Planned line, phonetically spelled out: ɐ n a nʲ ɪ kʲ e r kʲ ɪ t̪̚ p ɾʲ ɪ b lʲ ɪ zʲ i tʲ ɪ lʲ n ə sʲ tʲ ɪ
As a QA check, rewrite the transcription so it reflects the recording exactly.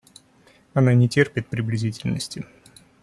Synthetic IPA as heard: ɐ n a nʲ ɪ tʲ e r pʲ ɪ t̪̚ p ɾʲ ɪ b lʲ ɪ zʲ i tʲ ɪ lʲ n ə sʲ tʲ ɪ

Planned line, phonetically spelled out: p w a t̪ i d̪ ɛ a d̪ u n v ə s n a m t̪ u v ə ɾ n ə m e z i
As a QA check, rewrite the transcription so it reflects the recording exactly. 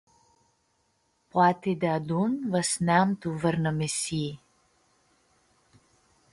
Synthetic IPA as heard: p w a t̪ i d̪ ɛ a d̪ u n v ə s n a m t̪ u v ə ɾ n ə m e s i

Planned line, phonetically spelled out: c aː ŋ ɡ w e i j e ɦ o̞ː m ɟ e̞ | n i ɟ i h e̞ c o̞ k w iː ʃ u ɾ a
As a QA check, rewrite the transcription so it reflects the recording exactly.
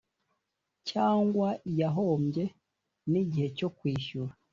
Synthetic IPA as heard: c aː ŋ ɡ w a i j a ɦ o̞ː m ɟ e̞ | n i ɟ i h e̞ c o̞ k w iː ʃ u ɾ a

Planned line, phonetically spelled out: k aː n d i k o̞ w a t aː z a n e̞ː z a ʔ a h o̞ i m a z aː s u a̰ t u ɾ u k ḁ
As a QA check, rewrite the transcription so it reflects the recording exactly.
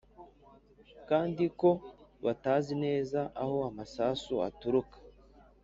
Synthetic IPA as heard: k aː n d i k o̞ β a t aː z i n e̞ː z a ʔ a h o̞ a m a s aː s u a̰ t u ɾ u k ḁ

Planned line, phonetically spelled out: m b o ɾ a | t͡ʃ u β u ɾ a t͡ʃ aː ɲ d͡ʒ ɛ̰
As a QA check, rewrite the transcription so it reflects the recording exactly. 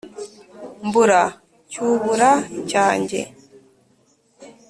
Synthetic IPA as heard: m b u ɾ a | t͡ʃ u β u ɾ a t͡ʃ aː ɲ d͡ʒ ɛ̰

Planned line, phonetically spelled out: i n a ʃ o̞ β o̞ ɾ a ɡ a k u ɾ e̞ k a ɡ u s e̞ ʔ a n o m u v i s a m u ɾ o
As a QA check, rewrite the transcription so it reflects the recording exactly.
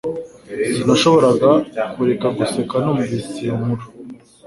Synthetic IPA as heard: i n a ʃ o̞ β o̞ ɾ a ɡ a k u ɾ e̞ k a ɡ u s e̞ k a n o m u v i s i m u ɾ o

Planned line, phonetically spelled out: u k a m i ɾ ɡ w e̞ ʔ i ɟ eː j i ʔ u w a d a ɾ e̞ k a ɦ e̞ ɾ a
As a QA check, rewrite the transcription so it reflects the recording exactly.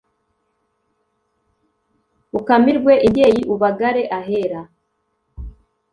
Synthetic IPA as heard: u k a m i ɾ ɡ w e̞ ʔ i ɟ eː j i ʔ u β a ɡ a ɾ e̞ ʔ a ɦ e̞ ɾ a

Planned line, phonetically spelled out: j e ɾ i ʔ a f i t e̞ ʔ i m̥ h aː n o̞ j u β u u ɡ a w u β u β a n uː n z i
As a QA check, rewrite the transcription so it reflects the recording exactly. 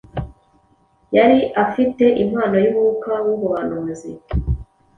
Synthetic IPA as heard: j a ɾ i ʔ a f i t e̞ ʔ i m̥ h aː n o̞ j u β u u k a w u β u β a n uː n z i

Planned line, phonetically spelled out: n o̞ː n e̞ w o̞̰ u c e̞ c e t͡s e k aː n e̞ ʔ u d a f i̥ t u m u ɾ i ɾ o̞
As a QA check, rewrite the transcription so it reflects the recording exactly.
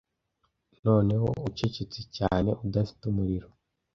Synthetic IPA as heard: n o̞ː n e̞ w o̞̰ u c e̞ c e t͡s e c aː n e̞ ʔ u d a f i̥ t u m u ɾ i ɾ o̞

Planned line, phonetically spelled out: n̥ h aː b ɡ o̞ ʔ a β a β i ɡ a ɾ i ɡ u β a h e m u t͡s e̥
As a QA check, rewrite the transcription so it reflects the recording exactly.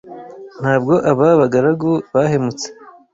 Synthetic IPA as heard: n̥ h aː b ɡ o̞ ʔ a β a β a ɡ a ɾ a ɡ u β a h e m u t͡s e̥

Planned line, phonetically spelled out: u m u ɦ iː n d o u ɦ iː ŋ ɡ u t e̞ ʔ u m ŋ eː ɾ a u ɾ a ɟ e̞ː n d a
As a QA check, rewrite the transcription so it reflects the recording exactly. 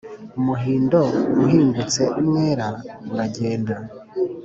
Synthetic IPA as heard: u m u ɦ iː n d o u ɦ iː ŋ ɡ u t͡s e̞ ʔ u m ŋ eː ɾ a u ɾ a ɟ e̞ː n d a

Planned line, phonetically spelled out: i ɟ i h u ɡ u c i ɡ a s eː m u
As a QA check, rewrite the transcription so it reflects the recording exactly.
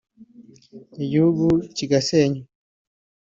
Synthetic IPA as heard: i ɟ i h u ɡ u c i ɡ a s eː ɲ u

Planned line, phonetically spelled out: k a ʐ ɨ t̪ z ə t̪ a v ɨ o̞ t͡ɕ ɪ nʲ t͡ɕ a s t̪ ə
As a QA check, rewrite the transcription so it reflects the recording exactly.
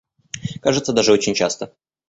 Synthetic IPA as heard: k a ʐ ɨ t̪ s ə d̪ a ʐ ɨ o̞ t͡ɕ ɪ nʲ t͡ɕ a s t̪ ə

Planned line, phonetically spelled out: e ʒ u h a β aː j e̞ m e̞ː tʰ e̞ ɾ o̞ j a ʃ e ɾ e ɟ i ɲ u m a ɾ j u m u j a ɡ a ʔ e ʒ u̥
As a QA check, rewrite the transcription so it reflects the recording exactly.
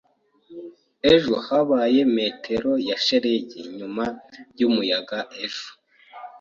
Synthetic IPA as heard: e ʒ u h a β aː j e̞ m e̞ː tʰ e̞ ɾ o̞ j a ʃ e ɾ e ɟ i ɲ u m a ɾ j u m u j a ɡ a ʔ e ʒ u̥

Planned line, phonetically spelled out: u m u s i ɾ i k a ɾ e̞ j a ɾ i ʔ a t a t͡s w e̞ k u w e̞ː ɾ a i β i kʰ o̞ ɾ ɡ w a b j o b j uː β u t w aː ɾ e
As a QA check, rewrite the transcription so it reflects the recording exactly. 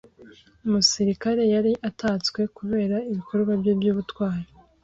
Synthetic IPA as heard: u m u s i ɾ i k a ɾ e̞ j a ɾ i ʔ a t a t͡s w e̞ k u β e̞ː ɾ a i β i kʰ o̞ ɾ ɡ w a b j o b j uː β u t w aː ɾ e

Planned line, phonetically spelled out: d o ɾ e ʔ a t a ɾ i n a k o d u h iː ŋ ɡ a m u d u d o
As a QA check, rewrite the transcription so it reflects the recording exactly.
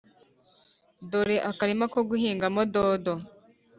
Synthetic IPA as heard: d o ɾ e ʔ a k a ɾ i m a k o ɡ u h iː ŋ ɡ a m o d o d o

